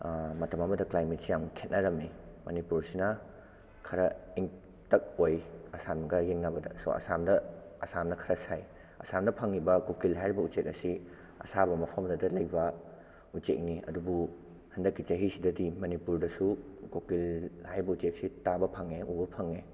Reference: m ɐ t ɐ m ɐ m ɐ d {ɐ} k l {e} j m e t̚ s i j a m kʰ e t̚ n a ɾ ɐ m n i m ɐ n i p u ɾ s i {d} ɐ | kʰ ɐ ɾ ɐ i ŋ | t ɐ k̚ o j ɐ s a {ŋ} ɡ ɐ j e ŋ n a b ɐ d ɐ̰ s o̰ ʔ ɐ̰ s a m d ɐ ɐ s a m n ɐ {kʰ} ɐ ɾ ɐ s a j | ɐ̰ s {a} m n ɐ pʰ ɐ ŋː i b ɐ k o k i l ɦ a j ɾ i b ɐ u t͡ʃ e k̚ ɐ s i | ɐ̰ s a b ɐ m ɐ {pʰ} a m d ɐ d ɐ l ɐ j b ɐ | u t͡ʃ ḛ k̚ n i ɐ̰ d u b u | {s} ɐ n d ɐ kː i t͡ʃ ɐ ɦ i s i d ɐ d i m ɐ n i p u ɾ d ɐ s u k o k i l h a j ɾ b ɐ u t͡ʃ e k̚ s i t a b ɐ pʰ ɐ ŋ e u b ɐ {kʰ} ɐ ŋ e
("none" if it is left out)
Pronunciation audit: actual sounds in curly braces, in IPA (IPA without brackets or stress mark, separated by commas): ɐ, a, n, m, kʰ, a, pʰ, h, pʰ